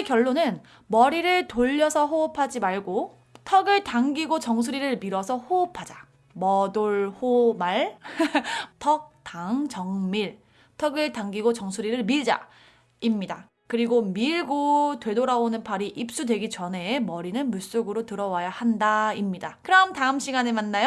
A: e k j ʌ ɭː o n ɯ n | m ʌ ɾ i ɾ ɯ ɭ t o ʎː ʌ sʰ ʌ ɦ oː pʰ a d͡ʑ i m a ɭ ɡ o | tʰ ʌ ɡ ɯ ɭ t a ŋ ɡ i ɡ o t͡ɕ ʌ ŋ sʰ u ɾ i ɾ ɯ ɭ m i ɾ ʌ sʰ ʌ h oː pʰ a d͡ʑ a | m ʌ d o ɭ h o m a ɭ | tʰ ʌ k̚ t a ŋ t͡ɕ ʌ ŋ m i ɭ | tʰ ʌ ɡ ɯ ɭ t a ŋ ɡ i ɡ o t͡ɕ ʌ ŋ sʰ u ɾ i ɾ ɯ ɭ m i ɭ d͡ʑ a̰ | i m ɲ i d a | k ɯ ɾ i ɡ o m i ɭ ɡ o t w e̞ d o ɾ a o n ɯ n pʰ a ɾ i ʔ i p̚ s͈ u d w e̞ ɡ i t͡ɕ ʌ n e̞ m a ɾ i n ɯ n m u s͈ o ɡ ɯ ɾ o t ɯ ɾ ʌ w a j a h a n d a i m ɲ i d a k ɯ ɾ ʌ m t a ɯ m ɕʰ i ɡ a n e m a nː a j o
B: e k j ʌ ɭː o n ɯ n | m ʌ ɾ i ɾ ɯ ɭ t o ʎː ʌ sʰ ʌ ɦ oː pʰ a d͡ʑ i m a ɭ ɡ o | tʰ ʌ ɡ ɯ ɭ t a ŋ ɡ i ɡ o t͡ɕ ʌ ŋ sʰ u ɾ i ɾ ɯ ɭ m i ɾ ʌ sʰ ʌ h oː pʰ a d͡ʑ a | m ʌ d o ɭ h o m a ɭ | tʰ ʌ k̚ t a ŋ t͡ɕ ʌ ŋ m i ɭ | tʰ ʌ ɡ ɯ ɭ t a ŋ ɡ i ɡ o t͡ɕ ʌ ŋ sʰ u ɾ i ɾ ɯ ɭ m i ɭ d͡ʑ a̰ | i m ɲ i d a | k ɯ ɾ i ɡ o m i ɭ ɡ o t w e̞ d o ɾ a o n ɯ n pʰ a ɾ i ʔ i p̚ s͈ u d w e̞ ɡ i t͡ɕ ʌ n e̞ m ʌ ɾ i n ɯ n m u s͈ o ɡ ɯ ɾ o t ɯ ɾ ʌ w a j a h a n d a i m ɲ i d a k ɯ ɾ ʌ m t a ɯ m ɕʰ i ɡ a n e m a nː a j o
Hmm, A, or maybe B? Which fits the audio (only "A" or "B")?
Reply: B